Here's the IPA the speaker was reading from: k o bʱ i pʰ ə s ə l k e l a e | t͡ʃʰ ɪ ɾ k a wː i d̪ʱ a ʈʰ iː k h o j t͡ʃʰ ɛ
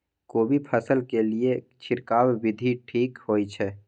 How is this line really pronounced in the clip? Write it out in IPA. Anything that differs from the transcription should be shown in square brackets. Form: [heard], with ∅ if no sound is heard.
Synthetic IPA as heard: k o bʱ i pʰ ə s ə l k e l [i] e | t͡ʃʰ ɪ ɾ k a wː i d̪ʱ [i] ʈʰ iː k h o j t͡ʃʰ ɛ